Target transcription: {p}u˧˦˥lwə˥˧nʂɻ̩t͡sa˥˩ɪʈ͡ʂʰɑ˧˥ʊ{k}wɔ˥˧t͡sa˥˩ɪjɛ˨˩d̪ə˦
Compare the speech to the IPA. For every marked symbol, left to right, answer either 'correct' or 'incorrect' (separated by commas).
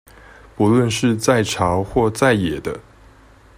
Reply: correct, incorrect